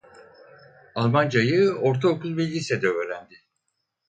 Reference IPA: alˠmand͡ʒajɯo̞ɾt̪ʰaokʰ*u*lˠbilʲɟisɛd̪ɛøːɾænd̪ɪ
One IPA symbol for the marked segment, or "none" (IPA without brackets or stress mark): u